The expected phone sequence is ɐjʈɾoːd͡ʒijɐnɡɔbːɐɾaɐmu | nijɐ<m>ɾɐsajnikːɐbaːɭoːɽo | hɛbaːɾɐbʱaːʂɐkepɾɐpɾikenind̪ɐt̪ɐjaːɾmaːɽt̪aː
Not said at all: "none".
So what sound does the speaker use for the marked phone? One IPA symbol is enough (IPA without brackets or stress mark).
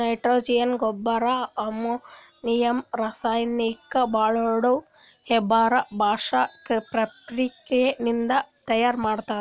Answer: m